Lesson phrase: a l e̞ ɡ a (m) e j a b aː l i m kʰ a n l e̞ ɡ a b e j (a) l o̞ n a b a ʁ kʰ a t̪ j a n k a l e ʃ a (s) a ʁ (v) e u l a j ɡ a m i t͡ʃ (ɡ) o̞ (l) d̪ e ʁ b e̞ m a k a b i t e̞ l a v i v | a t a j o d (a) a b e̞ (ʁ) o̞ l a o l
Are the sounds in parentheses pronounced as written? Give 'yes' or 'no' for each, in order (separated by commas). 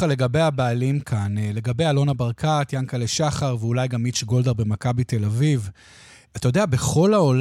no, yes, no, yes, yes, yes, no, no